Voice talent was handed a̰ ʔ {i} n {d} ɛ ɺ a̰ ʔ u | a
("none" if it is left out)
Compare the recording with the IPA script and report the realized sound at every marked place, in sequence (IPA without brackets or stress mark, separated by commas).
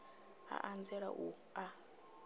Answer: a, d͡z